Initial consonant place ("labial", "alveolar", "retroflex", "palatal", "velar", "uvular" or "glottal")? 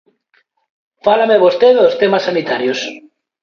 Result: labial